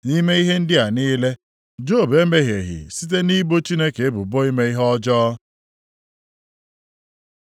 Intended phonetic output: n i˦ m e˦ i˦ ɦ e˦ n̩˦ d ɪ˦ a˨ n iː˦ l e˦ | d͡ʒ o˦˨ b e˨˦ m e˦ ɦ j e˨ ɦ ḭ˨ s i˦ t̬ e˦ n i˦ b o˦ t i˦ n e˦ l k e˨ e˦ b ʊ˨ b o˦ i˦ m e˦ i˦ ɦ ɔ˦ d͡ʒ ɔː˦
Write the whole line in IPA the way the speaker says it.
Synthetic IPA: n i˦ m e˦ i˦ ɦ e˦ n̩˦ d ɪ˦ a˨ n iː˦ l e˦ | d͡ʒ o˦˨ b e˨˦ m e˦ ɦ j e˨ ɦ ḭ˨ s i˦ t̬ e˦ n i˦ b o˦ t͡ʃ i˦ n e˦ k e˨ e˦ b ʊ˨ b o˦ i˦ m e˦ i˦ ɦ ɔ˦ d͡ʒ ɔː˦

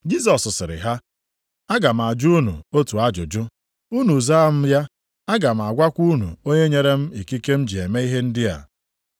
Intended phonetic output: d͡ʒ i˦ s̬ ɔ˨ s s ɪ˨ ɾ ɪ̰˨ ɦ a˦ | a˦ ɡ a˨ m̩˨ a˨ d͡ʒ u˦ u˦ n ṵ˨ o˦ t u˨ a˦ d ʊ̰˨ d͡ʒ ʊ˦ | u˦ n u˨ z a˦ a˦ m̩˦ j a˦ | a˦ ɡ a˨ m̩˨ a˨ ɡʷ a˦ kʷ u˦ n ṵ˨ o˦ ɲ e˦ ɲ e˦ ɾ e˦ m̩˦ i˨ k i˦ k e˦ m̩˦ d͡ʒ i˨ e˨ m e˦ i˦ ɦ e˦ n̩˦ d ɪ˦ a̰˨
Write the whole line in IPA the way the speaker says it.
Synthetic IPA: d͡ʒ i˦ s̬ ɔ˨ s s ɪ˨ ɾ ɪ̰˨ ɦ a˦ | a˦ ɡ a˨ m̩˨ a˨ d͡ʒ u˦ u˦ n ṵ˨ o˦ t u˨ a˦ d͡ʒ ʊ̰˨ d͡ʒ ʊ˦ | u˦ n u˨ z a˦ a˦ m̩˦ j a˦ | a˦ ɡ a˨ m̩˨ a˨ ɡʷ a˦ kʷ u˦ n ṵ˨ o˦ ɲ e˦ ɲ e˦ ɾ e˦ m̩˦ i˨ k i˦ k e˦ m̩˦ d͡ʒ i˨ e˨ m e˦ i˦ ɦ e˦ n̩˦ d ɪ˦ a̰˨

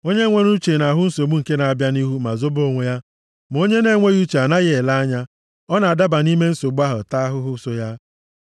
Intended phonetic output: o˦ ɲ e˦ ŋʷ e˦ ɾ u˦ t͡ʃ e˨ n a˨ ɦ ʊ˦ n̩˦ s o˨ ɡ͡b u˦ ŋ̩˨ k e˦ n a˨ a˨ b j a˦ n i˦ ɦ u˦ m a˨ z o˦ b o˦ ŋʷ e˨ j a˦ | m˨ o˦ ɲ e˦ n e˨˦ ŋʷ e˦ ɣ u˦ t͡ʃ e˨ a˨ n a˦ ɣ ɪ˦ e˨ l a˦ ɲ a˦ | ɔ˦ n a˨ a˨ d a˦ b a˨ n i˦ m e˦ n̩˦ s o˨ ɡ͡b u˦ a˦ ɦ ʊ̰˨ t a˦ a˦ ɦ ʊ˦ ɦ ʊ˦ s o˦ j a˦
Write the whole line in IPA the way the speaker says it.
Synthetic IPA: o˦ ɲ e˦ ŋʷ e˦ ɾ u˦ t͡ʃ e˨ n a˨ ɦ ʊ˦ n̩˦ s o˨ ɡ͡b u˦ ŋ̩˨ k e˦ n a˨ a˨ b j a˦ n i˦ ɦ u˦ m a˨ z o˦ b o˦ ŋʷ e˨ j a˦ | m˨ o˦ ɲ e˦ n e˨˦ ŋʷ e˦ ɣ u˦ t͡ʃ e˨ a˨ n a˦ ɣ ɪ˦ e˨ l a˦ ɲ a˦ | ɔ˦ n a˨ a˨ d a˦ b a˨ n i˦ m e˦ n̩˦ s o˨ ɡ͡b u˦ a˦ ɦ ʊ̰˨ t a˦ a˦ ɦ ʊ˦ ɦ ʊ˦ s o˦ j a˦

